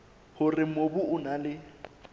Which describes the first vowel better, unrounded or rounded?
rounded